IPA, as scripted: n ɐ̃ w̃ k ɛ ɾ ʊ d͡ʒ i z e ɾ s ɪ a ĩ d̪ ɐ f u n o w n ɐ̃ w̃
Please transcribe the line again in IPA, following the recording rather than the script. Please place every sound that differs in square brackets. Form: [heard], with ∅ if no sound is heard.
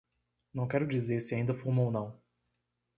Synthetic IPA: n ɐ̃ w̃ k ɛ ɾ ʊ d͡ʒ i z e ɾ s ɪ a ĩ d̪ ɐ f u [m] o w n ɐ̃ w̃